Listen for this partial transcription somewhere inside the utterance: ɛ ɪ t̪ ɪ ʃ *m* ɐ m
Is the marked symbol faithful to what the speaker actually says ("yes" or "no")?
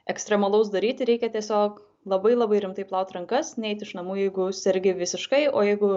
no